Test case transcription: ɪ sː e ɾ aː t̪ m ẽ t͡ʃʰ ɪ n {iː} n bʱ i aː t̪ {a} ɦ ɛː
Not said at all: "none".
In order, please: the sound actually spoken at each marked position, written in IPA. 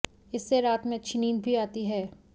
iː, i

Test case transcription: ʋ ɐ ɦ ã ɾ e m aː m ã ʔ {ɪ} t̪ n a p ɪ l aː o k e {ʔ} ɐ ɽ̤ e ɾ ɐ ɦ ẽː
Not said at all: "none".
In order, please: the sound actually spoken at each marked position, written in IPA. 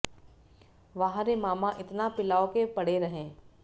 ɪ, p

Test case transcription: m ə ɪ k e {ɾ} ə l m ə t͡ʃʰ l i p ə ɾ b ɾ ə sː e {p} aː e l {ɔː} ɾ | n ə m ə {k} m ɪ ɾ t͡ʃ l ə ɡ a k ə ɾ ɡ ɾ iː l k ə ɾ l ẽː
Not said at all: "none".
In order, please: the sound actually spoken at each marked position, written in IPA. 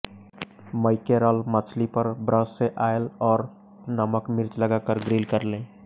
ɾ, ʔ, ɔː, k

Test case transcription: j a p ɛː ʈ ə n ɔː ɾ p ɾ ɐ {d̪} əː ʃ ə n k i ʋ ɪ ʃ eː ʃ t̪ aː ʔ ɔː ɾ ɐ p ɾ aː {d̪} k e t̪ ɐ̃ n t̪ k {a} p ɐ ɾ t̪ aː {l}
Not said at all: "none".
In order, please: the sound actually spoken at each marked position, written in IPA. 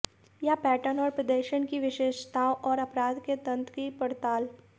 d̪, d̪, i, l

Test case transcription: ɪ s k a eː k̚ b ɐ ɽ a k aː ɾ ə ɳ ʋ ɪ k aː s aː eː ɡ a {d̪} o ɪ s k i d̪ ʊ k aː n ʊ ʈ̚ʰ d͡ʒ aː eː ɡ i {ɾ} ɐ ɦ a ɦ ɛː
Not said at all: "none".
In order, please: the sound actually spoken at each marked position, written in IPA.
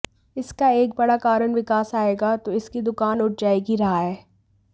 t̪, ɾ

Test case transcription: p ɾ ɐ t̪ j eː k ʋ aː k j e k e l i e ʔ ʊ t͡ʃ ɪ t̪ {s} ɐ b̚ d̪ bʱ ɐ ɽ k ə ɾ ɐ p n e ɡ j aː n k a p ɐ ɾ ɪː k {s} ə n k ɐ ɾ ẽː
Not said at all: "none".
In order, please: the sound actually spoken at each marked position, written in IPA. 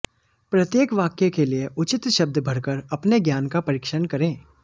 ʃ, ʃ

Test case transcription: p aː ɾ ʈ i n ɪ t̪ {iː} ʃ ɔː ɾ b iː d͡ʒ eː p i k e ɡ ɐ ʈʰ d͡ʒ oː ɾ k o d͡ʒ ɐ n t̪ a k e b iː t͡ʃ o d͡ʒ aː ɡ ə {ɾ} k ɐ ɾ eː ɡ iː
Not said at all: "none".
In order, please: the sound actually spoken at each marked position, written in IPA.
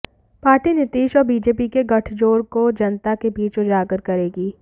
iː, ɾ

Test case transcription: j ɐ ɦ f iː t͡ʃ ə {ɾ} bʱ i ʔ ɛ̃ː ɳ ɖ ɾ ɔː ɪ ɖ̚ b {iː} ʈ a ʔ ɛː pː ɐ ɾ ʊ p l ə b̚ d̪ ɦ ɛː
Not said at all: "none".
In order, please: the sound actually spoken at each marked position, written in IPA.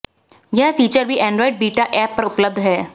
ɾ, iː

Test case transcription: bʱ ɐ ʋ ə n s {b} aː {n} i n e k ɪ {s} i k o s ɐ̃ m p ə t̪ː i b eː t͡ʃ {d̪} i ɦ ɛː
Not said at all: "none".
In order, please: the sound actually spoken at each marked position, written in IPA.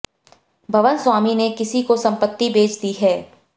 w, m, s, d̪

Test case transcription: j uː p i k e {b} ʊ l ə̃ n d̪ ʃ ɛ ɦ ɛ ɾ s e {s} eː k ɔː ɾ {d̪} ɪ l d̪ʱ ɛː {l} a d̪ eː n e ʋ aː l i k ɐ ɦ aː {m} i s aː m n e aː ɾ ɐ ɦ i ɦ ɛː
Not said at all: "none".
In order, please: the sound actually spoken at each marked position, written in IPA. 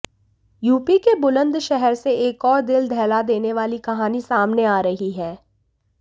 b, none, d̪, l, n

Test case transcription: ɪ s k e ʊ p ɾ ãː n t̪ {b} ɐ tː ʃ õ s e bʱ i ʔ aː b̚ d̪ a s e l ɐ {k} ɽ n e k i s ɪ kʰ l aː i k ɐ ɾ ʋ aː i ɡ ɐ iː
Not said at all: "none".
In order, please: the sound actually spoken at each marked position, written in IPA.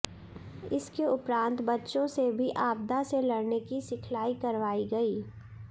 b, none

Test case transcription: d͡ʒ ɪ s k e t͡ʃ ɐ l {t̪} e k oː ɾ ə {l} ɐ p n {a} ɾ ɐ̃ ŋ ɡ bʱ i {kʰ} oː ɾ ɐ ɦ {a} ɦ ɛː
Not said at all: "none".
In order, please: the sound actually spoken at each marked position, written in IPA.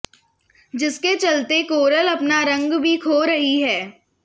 t̪, l, a, kʰ, i

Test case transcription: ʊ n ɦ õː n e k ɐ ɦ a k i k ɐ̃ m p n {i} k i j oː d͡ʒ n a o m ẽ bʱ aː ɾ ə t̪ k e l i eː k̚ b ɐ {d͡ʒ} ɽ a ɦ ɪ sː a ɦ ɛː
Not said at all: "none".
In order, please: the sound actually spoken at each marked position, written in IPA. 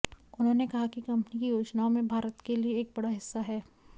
i, none

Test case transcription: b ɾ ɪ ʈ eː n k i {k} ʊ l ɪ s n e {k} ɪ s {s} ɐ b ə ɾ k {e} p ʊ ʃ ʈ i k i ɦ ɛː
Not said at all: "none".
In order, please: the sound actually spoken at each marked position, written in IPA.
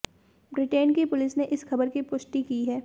p, ʔ, x, i

